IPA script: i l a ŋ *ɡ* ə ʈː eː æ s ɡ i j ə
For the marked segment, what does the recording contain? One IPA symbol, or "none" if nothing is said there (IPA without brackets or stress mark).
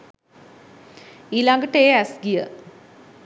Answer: ɡ